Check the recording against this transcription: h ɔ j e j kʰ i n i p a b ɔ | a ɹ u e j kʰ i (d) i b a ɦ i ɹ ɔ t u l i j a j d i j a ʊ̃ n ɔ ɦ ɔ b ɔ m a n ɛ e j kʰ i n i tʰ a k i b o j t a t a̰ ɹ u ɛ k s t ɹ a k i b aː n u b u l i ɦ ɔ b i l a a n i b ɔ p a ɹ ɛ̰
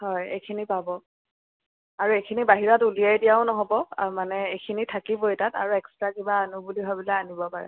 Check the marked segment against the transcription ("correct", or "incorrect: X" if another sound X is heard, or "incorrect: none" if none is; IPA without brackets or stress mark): incorrect: n